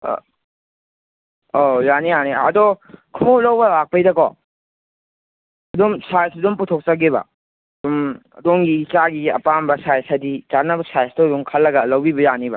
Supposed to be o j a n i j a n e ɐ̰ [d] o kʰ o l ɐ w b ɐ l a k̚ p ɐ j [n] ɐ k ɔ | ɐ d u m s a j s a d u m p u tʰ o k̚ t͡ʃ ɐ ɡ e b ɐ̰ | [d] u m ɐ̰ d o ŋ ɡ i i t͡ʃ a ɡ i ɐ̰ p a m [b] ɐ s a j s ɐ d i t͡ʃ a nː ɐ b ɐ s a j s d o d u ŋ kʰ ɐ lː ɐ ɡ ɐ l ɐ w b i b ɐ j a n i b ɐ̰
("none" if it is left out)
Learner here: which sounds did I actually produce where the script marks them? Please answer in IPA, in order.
d, d, d, b

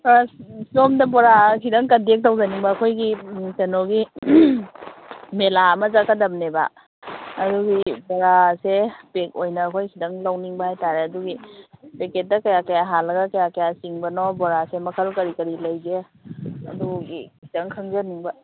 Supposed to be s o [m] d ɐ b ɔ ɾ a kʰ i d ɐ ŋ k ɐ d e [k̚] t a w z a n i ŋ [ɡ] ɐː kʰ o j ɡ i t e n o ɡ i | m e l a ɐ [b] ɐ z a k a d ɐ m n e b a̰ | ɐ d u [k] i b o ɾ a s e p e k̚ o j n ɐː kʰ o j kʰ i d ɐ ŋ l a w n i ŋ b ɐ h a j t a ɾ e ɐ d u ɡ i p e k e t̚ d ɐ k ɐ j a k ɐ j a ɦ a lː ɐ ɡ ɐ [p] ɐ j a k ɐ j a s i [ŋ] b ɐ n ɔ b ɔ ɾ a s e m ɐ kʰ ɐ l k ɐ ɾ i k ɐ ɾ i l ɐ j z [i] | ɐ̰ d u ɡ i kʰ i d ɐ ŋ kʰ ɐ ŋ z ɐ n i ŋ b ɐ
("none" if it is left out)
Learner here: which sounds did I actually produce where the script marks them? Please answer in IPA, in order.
m, k̚, b, m, ɡ, k, ŋ, e

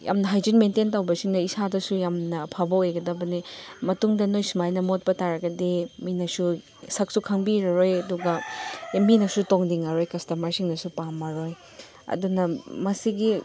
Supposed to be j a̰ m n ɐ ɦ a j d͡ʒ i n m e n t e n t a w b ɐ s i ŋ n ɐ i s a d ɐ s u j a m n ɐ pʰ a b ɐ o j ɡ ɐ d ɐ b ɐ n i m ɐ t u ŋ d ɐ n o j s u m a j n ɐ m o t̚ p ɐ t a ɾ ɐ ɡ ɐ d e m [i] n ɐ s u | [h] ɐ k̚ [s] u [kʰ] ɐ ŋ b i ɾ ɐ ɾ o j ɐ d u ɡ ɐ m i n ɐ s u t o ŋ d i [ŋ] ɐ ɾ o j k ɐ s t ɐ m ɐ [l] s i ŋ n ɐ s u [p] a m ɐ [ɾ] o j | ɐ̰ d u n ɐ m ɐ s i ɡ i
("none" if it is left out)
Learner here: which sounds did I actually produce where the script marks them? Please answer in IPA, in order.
i, s, s, kʰ, ŋ, ɾ, p, ɾ

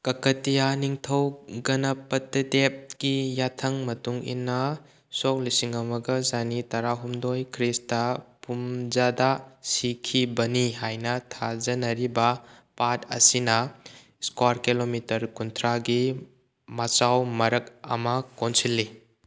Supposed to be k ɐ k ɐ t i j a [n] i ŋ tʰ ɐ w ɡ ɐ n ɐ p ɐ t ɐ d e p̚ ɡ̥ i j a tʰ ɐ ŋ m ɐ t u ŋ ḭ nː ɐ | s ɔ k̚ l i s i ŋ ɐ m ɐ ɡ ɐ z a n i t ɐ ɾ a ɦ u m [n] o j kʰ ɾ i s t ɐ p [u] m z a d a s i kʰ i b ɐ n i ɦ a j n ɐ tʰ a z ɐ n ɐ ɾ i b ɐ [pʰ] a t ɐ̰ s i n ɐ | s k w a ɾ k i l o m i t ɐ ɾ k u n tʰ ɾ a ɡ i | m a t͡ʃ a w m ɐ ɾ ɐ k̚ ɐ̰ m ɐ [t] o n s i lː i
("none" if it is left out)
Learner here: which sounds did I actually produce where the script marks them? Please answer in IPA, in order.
n, d, u, p, k

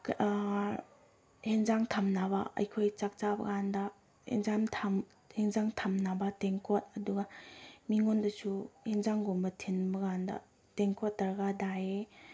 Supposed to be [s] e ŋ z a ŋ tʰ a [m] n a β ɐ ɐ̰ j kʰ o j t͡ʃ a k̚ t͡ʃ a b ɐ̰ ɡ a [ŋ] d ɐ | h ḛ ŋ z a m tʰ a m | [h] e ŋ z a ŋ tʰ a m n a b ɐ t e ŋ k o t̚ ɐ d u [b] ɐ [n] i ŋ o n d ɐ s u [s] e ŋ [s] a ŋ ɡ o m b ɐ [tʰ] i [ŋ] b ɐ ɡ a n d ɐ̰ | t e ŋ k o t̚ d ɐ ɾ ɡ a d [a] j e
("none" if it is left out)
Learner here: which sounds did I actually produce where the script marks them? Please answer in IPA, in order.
h, m, n, h, ɡ, m, h, z, tʰ, n, a

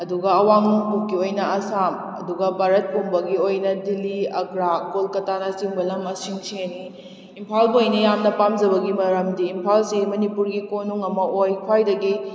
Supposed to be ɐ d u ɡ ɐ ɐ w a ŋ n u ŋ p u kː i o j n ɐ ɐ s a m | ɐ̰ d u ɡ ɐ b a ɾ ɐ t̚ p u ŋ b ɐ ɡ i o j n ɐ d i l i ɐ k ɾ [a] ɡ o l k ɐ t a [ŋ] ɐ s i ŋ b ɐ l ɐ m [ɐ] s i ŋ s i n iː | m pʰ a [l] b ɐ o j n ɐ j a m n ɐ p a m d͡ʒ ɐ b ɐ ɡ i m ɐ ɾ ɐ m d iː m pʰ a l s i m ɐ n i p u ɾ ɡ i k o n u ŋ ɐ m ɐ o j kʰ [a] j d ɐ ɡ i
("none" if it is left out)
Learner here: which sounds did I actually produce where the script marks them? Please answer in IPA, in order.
a, n, ɐ, l, a

